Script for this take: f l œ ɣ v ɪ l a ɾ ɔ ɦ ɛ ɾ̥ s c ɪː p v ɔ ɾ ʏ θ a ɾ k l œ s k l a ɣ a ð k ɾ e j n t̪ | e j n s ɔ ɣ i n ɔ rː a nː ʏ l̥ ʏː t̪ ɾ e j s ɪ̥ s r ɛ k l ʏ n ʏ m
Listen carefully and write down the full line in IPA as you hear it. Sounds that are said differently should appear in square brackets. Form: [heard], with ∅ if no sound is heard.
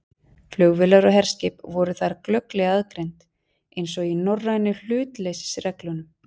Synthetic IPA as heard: f l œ ɣ v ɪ l a ɾ ɔ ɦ ɛ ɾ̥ s c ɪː p v ɔ ɾ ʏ θ a ɾ k l œ [∅] k l [ɛ] ɣ a ð k ɾ e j n t̪ | e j n s ɔ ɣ i n ɔ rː a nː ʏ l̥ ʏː t̪ [l] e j s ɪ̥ s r ɛ k l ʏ n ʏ m